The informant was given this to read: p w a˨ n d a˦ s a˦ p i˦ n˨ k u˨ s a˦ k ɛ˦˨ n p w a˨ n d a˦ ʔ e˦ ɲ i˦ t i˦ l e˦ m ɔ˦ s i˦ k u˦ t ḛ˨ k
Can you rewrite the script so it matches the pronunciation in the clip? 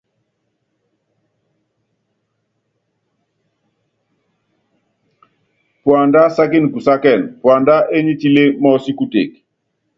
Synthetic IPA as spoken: p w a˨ n d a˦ s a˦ k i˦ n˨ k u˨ s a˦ k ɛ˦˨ n p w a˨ n d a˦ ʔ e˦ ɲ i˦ t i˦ l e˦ m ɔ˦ s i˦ k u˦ t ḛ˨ k